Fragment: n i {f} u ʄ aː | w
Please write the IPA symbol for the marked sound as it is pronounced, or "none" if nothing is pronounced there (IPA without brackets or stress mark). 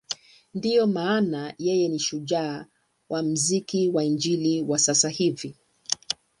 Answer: ʃ